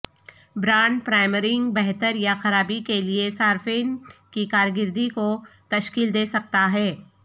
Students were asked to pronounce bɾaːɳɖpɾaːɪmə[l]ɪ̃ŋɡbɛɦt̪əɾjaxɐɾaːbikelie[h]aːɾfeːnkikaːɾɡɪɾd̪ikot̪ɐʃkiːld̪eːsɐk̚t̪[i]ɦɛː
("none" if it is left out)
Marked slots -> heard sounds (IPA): ɾ, s, a

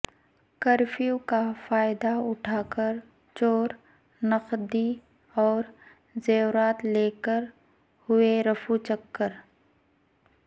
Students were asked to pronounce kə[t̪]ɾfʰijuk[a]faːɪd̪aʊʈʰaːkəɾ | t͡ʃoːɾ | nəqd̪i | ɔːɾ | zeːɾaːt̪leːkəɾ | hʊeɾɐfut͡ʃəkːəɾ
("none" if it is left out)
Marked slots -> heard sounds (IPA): none, a

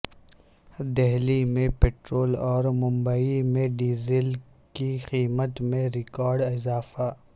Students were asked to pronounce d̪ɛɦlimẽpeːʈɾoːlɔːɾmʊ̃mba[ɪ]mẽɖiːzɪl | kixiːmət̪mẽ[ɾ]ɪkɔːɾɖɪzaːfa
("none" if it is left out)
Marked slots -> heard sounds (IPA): i, ɾ

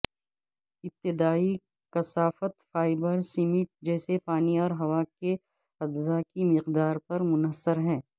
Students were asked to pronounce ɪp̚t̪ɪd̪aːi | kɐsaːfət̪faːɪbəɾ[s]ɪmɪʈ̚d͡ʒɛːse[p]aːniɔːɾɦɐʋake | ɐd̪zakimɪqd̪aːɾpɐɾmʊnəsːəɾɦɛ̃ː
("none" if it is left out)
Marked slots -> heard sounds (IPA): s, p

